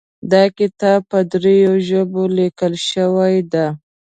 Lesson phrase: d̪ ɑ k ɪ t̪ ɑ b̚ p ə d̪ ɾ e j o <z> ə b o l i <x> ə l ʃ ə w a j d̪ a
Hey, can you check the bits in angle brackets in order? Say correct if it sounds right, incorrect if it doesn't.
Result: incorrect: ʒ, incorrect: k

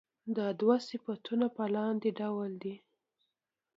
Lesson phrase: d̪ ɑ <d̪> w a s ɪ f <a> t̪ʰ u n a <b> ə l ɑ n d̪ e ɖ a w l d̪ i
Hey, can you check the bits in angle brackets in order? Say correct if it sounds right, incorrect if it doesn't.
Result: correct, correct, incorrect: p

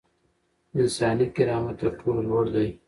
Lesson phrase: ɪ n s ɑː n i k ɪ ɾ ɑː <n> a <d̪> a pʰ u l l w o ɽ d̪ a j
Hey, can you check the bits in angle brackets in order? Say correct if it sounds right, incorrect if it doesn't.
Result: incorrect: m, incorrect: t̪

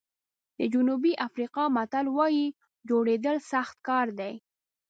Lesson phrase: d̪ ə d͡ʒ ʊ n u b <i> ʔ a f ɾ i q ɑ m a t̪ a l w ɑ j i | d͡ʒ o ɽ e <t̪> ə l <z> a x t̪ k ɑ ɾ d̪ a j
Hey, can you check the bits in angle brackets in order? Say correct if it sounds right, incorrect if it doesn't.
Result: correct, incorrect: d̪, incorrect: s

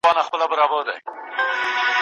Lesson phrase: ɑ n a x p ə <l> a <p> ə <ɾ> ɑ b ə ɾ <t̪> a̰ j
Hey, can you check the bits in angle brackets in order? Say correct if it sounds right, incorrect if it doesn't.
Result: correct, incorrect: b, correct, incorrect: d̪

